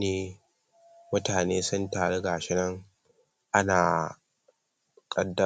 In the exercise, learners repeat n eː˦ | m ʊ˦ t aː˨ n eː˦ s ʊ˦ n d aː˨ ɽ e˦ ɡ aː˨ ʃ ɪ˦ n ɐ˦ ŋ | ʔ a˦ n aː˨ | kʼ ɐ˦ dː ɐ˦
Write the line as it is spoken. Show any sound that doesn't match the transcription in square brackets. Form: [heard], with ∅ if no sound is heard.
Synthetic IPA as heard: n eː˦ | m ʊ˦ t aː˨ n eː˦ s ʊ˦ n [t] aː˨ ɽ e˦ ɡ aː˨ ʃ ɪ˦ n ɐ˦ ŋ | ʔ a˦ n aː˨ | kʼ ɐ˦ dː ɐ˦